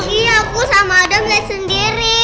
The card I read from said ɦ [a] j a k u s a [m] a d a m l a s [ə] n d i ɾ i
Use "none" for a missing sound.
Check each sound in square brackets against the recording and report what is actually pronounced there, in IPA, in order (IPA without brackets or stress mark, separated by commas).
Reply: i, m, ə